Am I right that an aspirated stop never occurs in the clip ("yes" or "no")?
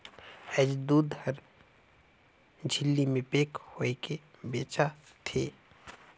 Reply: no